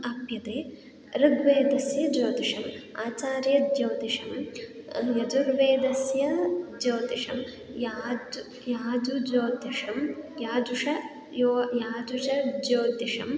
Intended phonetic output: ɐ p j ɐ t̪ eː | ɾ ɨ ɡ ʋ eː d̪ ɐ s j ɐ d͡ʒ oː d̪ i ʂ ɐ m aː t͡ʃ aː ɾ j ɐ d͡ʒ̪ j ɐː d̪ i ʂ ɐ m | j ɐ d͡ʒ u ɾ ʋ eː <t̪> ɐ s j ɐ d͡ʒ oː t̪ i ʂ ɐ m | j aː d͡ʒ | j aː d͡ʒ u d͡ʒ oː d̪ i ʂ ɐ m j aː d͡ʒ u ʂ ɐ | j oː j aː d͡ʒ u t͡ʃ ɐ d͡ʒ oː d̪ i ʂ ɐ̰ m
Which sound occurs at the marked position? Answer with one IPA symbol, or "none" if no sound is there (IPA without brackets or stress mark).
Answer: d̪